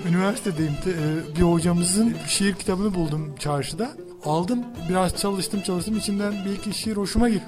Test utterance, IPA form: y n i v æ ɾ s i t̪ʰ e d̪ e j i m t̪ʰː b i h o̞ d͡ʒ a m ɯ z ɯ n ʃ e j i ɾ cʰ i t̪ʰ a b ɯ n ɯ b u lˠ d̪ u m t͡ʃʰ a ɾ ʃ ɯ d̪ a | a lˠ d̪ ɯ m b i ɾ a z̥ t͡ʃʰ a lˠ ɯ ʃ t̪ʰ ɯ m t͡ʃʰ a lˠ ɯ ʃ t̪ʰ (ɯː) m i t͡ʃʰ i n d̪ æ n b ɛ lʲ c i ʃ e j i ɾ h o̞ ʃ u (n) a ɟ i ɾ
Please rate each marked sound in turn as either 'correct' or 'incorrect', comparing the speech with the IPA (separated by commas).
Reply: incorrect, incorrect